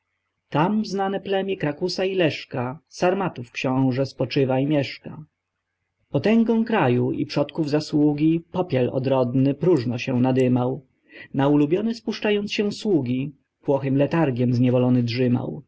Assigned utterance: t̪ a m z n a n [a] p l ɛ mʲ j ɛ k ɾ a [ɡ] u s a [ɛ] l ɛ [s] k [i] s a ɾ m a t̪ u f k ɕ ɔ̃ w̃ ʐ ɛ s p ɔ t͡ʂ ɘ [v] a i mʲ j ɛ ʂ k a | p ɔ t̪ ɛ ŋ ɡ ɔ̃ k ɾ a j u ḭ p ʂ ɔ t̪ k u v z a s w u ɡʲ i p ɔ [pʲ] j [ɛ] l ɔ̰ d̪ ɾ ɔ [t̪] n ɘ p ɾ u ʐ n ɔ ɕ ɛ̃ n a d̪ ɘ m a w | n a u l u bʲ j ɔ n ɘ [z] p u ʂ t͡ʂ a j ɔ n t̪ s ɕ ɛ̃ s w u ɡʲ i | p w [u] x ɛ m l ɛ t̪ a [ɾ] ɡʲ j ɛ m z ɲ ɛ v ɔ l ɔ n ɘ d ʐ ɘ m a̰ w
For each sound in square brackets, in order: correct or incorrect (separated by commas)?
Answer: incorrect, incorrect, incorrect, incorrect, incorrect, correct, correct, correct, incorrect, incorrect, incorrect, correct